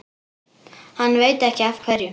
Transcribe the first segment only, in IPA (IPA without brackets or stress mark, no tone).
h